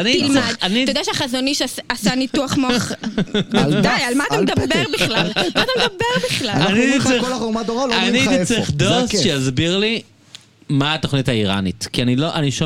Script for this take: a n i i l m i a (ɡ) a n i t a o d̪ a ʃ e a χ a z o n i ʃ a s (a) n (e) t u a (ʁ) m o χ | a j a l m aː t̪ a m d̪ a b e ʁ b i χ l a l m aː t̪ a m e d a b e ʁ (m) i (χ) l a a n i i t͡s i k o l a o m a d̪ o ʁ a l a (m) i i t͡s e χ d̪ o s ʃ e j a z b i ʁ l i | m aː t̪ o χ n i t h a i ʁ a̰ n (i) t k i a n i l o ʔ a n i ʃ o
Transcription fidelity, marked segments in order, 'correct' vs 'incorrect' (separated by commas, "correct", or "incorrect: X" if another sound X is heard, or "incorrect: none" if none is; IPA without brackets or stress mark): incorrect: d, correct, incorrect: i, incorrect: χ, incorrect: b, correct, incorrect: n, correct